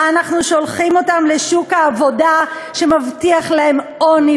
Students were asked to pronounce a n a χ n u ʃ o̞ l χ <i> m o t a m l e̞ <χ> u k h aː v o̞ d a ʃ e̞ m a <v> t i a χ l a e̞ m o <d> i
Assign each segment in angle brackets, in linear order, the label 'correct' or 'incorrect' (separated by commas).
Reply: correct, incorrect, correct, incorrect